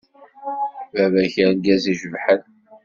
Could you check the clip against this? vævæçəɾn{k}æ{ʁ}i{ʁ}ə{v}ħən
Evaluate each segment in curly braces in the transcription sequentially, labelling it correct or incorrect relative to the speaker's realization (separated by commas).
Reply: incorrect, incorrect, incorrect, correct